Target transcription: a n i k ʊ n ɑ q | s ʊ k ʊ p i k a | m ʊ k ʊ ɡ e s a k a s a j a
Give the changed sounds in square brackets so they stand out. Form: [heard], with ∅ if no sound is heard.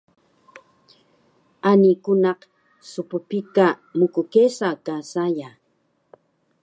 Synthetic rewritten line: a n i k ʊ n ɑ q | s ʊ [p] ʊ p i k a | m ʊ k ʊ [k] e s a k a s a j a